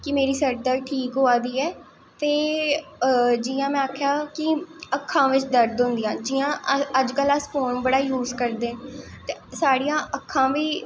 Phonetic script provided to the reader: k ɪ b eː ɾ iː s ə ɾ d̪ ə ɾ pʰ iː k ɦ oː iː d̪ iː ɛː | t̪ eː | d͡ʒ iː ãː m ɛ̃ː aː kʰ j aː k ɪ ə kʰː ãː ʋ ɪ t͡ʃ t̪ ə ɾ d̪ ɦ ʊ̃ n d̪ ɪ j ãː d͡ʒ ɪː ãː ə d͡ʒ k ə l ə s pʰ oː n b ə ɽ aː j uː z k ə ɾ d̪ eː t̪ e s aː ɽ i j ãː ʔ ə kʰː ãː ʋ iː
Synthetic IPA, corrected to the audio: k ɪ m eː ɾ iː s ə ɾ d̪ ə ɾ ʈʰ iː k ɦ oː aː d̪ iː ɛː | t̪ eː | d͡ʒ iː ãː m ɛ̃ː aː kʰ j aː k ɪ ə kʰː ãː ʋ ɪ t͡ʃ d̪ ə ɾ d̪ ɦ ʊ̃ n d̪ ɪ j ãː d͡ʒ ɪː ãː ə d͡ʒ k ə l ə s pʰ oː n b ə ɽ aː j uː z k ə ɾ d̪ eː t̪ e s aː ɽ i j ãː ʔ ə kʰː ãː ʋ iː